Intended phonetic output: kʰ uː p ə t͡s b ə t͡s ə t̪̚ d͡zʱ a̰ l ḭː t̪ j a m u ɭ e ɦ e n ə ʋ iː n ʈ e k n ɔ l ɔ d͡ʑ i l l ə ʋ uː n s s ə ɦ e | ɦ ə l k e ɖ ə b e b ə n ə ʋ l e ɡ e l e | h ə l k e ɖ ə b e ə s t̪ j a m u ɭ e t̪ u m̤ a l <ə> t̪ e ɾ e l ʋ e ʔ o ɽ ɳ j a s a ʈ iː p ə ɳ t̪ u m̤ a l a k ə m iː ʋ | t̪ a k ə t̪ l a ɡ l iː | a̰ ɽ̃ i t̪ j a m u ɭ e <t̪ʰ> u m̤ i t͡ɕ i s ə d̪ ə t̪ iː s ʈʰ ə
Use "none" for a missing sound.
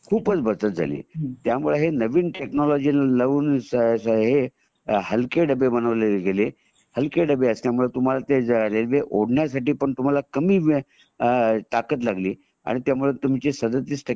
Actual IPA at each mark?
a, t̪

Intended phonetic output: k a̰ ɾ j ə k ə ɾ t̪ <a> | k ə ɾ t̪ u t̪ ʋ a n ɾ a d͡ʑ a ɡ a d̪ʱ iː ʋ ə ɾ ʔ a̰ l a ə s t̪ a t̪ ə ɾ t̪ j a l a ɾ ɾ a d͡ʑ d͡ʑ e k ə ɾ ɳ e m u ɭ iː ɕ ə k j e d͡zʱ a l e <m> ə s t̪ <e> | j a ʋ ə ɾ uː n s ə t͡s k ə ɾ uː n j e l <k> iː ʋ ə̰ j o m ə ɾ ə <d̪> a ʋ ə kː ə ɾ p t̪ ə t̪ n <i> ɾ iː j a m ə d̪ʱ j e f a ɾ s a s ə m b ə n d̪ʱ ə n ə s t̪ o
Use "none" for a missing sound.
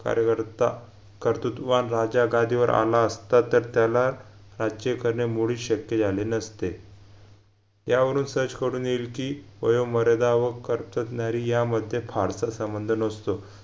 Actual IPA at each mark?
a, n, e, k, d̪, a

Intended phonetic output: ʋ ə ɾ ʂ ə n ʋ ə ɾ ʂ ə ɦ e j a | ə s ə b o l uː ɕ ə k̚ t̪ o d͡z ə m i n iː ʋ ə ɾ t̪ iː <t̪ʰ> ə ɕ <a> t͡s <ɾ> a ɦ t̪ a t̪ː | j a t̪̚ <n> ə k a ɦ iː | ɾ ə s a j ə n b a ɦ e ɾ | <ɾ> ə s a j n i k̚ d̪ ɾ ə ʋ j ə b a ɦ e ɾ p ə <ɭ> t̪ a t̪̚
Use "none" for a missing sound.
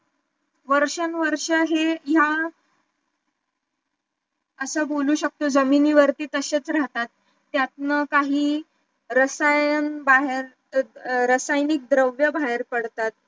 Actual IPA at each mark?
t̪, e, ɾ, n, ɾ, ɽ

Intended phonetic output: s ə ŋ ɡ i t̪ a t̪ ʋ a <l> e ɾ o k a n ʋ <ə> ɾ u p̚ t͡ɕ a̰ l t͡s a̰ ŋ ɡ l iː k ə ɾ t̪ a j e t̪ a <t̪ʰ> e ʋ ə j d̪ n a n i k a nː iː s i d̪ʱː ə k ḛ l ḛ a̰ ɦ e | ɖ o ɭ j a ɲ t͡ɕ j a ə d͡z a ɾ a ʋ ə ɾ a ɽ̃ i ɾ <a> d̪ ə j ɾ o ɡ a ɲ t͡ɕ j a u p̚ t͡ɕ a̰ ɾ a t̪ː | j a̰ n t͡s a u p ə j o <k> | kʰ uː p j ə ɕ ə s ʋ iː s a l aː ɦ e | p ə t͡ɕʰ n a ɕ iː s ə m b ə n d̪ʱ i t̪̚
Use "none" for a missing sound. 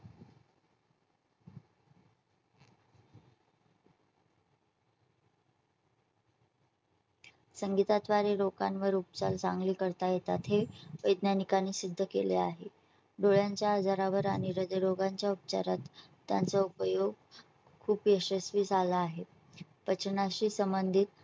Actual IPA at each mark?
ɾ, ə, t̪ʰ, ə, ɡ

